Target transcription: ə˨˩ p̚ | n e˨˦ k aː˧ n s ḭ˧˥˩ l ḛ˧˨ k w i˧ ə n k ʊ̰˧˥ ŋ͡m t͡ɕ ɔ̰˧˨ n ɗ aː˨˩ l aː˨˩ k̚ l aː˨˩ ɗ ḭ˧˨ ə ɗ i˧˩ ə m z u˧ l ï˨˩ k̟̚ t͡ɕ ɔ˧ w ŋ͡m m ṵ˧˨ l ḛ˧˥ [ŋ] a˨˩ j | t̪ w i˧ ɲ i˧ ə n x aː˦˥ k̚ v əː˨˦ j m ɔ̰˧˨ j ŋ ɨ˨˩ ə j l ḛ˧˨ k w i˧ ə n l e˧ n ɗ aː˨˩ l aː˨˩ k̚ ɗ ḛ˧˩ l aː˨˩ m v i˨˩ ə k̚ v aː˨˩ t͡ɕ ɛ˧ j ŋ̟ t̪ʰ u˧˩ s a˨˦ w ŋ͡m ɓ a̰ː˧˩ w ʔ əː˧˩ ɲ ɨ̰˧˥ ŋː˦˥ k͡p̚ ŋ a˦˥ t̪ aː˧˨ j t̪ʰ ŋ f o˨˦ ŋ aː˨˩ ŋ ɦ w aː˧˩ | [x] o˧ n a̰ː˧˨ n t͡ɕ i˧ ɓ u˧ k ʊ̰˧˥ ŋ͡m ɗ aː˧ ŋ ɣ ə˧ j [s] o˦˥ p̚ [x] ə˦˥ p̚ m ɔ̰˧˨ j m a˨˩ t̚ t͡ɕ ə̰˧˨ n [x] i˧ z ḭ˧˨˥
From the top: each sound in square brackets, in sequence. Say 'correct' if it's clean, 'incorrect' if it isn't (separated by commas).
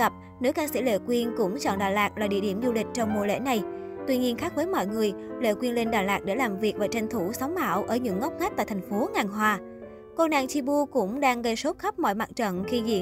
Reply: incorrect, incorrect, correct, correct, correct